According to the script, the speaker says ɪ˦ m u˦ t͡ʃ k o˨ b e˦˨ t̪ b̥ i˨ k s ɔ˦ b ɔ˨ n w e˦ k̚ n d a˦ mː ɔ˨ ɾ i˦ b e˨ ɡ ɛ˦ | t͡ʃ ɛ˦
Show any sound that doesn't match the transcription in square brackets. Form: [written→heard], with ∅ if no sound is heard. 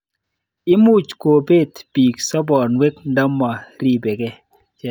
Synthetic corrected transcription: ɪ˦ m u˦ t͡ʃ k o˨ b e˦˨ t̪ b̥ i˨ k s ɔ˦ b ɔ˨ n w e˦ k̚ n d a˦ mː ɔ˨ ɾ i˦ b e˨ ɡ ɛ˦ | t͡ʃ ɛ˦